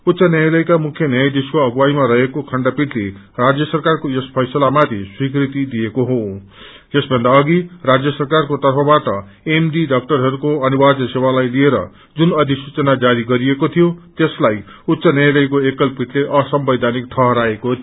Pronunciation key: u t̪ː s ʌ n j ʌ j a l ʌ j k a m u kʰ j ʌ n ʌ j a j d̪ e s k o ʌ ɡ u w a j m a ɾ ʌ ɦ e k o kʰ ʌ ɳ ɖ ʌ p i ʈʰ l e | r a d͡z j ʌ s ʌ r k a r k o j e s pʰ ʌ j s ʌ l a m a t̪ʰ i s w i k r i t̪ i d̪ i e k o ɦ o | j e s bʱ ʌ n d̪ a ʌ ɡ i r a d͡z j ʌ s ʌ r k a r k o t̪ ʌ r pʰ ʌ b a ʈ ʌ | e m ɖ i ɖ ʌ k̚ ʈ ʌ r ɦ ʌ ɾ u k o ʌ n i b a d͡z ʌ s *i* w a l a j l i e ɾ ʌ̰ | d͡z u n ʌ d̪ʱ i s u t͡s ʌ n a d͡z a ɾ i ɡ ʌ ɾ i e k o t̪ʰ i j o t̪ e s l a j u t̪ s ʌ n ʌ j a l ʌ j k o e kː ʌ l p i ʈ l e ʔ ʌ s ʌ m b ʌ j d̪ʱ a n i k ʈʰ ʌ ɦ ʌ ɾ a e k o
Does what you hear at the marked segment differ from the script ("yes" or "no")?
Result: yes